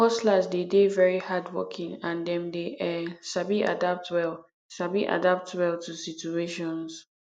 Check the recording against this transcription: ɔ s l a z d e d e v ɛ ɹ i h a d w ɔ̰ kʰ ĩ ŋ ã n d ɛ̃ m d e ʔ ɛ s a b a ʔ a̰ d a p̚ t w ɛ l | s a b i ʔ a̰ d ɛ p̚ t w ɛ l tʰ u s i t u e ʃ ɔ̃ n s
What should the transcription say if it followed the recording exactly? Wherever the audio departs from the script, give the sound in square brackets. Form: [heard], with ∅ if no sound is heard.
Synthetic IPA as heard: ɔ s l a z d e d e v ɛ ɹ i h a d w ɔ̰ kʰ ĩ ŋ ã n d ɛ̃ m d e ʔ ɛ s a b [i] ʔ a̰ d a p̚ t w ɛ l | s a b i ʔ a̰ d [a] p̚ t w ɛ l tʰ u s i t u e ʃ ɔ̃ n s